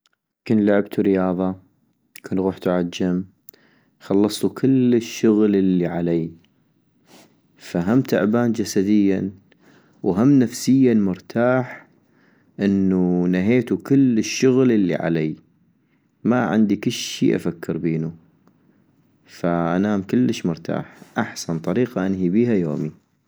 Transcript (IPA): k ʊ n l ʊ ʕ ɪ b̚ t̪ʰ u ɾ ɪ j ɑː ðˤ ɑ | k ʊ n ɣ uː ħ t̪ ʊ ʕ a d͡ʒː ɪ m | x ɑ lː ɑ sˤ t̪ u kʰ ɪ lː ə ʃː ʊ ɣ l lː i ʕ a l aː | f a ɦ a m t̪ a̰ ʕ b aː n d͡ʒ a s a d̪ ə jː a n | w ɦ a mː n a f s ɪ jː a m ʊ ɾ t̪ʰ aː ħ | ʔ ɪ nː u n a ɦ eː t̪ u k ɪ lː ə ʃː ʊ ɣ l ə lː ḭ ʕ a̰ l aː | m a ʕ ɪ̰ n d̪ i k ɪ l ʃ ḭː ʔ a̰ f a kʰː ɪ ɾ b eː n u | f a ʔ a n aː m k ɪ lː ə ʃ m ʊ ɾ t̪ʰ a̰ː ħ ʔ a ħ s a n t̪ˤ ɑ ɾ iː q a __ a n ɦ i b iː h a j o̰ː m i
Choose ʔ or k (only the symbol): ʔ